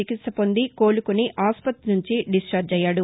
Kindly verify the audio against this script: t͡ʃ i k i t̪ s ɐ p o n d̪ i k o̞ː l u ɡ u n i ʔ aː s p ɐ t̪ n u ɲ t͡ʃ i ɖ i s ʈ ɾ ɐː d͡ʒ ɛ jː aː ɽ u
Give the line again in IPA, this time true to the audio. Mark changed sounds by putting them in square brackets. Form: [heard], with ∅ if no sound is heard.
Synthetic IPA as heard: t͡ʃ i k i t̪ s ɐ p o n d̪ i k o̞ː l u [k] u n i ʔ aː s p ɐ t̪ n u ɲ t͡ʃ i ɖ i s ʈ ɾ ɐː d͡ʒ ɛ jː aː ɽ u